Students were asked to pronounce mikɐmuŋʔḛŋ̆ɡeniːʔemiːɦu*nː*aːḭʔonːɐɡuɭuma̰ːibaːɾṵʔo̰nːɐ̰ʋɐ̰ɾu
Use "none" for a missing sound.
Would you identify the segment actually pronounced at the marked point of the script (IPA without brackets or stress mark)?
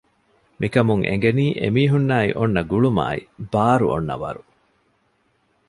nː